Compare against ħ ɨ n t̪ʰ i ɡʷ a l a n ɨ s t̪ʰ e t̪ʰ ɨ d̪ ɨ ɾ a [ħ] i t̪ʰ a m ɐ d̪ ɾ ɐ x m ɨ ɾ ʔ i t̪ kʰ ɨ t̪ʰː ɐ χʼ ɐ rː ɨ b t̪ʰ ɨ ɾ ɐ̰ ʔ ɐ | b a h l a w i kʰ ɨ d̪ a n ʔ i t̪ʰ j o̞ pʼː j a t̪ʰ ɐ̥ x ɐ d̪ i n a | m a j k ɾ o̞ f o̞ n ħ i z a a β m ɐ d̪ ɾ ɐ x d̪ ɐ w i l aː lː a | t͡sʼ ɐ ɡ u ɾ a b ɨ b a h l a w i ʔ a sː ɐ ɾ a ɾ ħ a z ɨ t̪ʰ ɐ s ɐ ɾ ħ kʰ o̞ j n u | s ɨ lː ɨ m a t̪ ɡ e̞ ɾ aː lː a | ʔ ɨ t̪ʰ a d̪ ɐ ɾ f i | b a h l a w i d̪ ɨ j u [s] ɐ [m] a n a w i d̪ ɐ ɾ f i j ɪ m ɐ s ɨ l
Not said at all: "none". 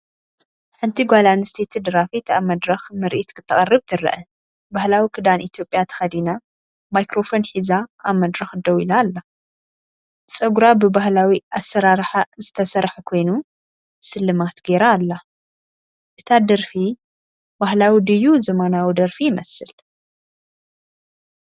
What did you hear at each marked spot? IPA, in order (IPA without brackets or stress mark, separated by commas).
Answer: f, z, m